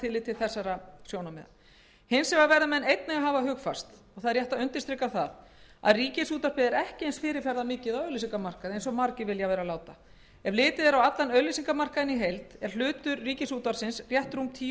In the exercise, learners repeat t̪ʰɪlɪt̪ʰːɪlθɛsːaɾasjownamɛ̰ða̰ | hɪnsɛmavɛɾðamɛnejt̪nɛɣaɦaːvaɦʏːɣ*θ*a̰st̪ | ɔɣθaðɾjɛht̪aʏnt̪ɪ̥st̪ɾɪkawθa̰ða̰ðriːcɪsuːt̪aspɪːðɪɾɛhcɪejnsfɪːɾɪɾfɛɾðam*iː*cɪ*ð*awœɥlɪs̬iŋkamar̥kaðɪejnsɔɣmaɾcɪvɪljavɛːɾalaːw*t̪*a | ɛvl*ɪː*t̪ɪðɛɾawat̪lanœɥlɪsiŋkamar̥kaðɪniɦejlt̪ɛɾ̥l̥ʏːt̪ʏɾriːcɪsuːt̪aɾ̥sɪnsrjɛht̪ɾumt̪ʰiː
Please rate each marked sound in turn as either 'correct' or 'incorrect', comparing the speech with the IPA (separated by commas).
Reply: incorrect, incorrect, correct, correct, correct